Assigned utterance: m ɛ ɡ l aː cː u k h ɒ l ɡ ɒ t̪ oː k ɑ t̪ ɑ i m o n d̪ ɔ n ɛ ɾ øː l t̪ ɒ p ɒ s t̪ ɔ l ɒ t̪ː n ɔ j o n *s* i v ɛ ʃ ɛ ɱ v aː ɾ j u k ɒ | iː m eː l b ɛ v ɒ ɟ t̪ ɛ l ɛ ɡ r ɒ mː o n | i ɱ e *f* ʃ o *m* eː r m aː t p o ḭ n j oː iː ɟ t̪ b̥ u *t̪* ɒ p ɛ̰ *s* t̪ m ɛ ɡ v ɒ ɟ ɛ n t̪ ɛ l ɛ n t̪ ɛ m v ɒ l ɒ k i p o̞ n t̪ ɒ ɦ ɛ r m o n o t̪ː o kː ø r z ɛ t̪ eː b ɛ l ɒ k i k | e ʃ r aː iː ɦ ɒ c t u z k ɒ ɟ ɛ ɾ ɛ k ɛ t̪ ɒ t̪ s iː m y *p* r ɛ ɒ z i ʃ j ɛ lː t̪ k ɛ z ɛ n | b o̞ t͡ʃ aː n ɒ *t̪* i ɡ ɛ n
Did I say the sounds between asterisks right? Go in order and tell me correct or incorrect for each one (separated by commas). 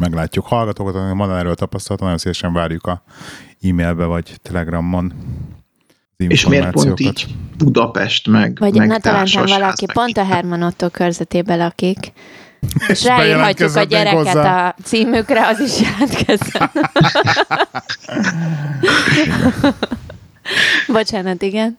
correct, correct, correct, incorrect, incorrect, incorrect, correct